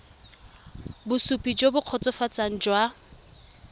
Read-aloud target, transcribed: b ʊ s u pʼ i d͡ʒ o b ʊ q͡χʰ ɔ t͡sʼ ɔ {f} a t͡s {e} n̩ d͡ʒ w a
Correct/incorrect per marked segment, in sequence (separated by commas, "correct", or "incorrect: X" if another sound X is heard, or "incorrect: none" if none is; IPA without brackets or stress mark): correct, incorrect: a